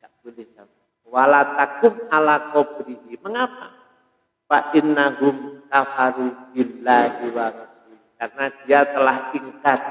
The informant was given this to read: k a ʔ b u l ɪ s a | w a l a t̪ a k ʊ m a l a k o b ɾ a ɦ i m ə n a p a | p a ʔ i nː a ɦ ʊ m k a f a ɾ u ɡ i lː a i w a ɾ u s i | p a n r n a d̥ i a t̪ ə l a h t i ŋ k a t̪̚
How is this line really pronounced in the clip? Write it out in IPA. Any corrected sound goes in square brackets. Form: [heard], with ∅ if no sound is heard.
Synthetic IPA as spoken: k a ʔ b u l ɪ s a | w a l a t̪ a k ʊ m a l a k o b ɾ [i] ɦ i m ə [ŋ] a p a | p a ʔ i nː a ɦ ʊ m k a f a ɾ u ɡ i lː a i w a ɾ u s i | [k] a [∅] r n a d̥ i a t̪ ə l a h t i ŋ k a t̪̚